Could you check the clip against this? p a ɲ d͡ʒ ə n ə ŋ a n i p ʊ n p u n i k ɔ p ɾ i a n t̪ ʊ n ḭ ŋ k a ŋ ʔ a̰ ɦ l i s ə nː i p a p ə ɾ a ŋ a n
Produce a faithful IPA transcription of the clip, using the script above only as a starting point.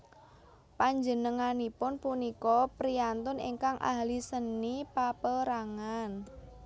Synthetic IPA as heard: p a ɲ d͡ʒ ə n ə ŋ a n i p ʊ n p u n i k ɔ p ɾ i a n t̪ ʊ n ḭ ŋ k a ŋ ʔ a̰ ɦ l i s ə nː i p a p ə ɾ a ŋ a n